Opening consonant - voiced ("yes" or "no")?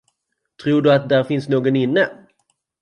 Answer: no